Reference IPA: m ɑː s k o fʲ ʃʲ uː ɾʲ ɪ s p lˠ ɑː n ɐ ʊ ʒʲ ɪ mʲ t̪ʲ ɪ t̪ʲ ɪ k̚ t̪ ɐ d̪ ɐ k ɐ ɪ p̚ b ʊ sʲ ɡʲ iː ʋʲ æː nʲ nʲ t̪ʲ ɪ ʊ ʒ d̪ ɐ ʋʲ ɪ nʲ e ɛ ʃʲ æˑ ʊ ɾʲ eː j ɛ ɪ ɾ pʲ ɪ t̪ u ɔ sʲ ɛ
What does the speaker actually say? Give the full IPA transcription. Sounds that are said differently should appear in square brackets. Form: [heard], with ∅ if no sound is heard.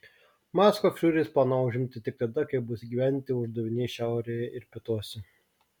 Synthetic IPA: m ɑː s k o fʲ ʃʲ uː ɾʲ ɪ s p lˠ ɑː n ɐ ʊ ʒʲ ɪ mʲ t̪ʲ ɪ t̪ʲ ɪ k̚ t̪ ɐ d̪ ɐ k ɐ ɪ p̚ b ʊ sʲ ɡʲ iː ʋʲ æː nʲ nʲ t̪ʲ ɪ ʊ ʒ d̪ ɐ ʋʲ ɪ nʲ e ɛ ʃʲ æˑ ʊ ɾʲ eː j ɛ ɪ ɾ pʲ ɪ t̪ u ɔ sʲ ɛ

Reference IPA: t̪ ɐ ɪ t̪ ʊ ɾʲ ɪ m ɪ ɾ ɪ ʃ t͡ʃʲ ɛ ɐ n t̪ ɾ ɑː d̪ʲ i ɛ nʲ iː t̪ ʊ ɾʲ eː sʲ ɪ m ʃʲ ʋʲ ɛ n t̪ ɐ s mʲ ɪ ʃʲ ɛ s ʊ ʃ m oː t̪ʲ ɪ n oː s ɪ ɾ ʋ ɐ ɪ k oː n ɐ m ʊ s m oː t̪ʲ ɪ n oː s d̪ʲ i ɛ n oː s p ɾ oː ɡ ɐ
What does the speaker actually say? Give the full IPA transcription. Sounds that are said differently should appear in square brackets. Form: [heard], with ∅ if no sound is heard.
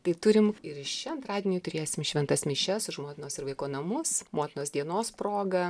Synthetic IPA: t̪ ɐ ɪ t̪ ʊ ɾʲ ɪ m ɪ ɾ ɪ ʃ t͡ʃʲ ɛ ɐ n t̪ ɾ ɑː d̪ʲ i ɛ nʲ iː t̪ ʊ ɾʲ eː sʲ ɪ m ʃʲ ʋʲ ɛ n t̪ ɐ s mʲ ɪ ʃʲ ɛ s ʊ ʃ m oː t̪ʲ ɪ n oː s ɪ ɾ ʋ ɐ ɪ k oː n ɐ m ʊ s m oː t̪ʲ ɪ n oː s d̪ʲ i ɛ n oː s p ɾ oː ɡ ɐ

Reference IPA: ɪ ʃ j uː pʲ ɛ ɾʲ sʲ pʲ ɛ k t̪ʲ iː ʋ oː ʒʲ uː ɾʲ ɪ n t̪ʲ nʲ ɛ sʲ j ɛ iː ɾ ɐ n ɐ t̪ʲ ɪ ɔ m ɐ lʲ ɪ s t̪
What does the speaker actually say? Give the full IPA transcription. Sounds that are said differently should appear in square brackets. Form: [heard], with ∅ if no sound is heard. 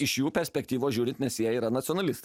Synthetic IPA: ɪ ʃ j uː pʲ ɛ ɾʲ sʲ pʲ ɛ k t̪ʲ iː ʋ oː ʒʲ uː ɾʲ ɪ n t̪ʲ nʲ ɛ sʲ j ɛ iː ɾ ɐ n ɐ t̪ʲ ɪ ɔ [n] ɐ lʲ ɪ s t̪

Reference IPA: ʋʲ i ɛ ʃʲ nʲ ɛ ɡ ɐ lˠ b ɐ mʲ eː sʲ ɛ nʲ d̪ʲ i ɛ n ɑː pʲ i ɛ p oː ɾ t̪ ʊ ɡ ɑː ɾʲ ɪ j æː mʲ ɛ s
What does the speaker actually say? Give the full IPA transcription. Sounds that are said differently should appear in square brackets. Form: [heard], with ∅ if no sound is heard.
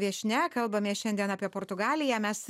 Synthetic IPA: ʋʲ i ɛ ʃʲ nʲ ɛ [k] ɐ lˠ b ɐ mʲ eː [ʃʲ] ɛ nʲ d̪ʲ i ɛ n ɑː pʲ i ɛ p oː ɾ t̪ ʊ ɡ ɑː [lʲ] ɪ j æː mʲ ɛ s

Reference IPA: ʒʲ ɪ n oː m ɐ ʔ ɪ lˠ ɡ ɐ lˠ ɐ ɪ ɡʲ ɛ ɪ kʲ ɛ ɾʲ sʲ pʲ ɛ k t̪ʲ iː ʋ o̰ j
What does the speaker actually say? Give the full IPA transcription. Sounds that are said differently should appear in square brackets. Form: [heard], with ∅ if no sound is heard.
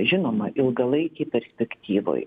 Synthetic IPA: ʒʲ ɪ n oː m ɐ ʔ ɪ lˠ ɡ ɐ lˠ ɐ ɪ [kʲ] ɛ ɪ [pʲ] ɛ ɾʲ sʲ pʲ ɛ k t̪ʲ iː ʋ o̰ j

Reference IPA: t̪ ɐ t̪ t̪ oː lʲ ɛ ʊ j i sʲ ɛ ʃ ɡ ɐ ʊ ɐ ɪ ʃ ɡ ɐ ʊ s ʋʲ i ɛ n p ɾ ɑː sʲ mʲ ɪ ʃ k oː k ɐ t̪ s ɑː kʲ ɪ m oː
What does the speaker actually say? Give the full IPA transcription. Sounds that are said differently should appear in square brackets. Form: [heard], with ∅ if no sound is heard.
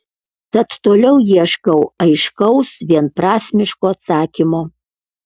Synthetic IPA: t̪ ɐ t̪ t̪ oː lʲ ɛ ʊ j i [∅] ɛ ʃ [k] ɐ ʊ ɐ ɪ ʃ [k] ɐ ʊ s ʋʲ i ɛ n p ɾ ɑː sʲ mʲ ɪ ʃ k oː [∅] ɐ t̪ s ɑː kʲ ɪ m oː

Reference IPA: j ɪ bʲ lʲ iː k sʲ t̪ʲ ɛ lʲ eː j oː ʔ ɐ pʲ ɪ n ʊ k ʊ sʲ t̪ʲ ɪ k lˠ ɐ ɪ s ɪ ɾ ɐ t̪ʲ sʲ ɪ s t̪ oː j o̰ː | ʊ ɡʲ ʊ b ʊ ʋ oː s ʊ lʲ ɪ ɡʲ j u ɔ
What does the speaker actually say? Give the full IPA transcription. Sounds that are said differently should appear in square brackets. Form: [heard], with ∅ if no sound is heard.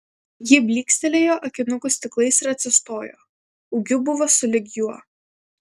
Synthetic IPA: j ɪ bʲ lʲ iː k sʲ t̪ʲ ɛ lʲ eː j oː ʔ ɐ [kʲ] ɪ n ʊ k ʊ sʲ t̪ʲ ɪ k lˠ ɐ ɪ s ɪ ɾ ɐ t̪ʲ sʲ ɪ s t̪ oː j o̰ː | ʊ ɡʲ ʊ b ʊ ʋ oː s ʊ lʲ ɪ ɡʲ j u ɔ

